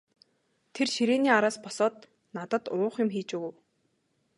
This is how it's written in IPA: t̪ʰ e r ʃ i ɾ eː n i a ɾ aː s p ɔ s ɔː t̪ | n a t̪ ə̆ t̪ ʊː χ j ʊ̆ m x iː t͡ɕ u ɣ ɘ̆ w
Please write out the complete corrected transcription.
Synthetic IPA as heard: t̪ʰ e r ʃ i ɾ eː n iː a ɾ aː s p ɔ s ɔː t̪ | n a t̪ ə̆ t̪ ʊː χ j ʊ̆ m x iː t͡ɕ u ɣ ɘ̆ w